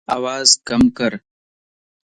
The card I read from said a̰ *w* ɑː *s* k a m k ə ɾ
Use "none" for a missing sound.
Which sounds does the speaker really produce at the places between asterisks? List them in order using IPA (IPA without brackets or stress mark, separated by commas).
w, z